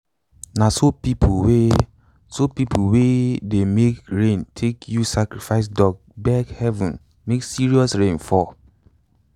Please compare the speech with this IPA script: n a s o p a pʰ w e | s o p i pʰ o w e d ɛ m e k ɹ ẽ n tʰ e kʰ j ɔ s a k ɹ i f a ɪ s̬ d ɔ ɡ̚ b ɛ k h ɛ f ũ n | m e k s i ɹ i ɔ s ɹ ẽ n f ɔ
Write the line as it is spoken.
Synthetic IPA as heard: n a s o p i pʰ w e | s o p i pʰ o w e d e m e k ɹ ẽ n tʰ e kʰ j u s a k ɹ i f a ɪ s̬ d ɔ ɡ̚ b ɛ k h ɛ v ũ n | m e k s i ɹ i ɔ s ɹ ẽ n f ɔ